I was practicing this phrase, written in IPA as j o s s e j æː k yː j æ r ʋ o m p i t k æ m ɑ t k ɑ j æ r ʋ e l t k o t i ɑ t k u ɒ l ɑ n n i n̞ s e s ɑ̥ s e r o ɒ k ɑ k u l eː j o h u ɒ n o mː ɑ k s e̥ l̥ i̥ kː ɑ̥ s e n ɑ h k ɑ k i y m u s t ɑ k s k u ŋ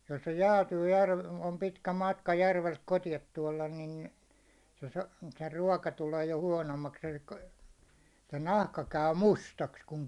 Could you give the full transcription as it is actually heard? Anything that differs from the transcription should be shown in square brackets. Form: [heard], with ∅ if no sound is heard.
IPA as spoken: j o s s e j æː [t] yː j æ r ʋ o m p i t k æ m ɑ t k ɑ j æ r ʋ e l t k o t i ɑ t [t] u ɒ l ɑ n n i n̞ s e s ɑ̥ s e r [u] ɒ k ɑ [t] u l eː j o h u ɒ n o mː ɑ k s e̥ l̥ i̥ kː ɑ̥ s e n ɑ h k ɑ k [æ] y m u s t ɑ k s k u ŋ